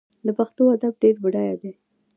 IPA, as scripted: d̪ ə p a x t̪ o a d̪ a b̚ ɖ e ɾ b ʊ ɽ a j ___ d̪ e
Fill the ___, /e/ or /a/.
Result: a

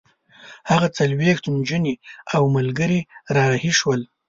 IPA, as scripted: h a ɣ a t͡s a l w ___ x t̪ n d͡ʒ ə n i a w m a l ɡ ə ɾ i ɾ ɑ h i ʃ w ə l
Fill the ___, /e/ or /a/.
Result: e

